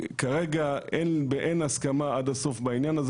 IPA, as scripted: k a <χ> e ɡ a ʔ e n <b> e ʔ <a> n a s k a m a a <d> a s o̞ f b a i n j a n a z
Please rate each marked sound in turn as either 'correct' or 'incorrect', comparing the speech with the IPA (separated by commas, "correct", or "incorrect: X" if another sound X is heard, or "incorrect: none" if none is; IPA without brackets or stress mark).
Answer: incorrect: ʁ, correct, incorrect: e, correct